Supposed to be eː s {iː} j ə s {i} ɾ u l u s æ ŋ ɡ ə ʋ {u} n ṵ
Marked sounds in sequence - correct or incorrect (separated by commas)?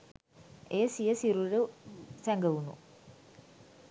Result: incorrect, correct, correct